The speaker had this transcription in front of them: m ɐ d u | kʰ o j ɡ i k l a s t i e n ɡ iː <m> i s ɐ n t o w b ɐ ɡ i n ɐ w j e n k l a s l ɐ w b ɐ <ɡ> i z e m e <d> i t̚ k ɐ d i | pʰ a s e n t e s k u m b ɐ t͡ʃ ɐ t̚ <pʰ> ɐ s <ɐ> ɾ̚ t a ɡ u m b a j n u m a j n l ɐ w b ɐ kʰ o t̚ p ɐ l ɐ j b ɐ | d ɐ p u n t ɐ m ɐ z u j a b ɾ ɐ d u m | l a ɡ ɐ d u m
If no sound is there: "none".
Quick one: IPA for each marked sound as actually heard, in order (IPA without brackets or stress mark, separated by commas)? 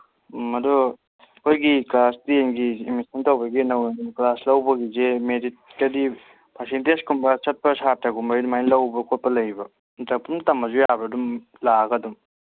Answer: m, ɡ, d, p, a